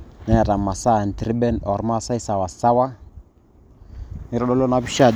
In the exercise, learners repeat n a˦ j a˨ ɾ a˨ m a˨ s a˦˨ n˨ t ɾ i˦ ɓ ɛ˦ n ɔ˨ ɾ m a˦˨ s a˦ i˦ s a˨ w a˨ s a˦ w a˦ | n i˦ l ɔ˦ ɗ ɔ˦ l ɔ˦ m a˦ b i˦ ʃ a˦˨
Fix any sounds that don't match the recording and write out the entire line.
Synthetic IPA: n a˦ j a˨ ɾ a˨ m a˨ s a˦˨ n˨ t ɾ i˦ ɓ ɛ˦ n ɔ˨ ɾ m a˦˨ s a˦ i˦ s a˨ w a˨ s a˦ w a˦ | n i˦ ɾ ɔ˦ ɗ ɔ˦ l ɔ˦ n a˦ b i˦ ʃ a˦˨